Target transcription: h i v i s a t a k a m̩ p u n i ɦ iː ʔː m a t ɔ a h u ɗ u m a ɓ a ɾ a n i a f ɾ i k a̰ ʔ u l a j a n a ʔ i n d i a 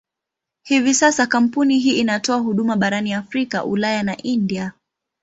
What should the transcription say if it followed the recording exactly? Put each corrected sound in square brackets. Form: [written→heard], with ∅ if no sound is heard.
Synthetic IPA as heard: h i v i s a [t→s] a k a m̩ p u n i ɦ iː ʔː [m→n] a t ɔ a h u ɗ u m a ɓ a ɾ a n i a f ɾ i k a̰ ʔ u l a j a n a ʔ i n d i a